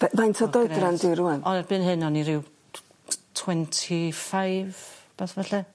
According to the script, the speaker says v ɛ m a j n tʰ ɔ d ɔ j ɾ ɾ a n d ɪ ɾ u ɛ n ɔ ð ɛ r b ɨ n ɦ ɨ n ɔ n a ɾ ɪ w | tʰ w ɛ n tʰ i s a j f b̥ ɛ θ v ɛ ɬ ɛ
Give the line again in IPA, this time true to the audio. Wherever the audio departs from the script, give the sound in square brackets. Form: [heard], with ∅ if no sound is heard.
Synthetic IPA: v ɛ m a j n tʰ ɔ d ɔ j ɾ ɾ a n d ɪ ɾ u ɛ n ɔ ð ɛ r b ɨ n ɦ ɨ n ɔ n [i] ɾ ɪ w | tʰ w ɛ n tʰ i [f] a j [v] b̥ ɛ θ v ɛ ɬ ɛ